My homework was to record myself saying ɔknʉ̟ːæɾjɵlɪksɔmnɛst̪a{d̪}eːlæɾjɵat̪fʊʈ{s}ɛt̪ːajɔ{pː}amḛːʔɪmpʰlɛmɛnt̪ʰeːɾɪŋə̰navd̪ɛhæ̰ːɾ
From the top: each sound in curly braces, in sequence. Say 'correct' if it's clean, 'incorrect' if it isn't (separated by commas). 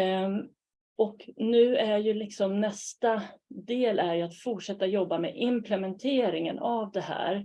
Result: correct, incorrect, incorrect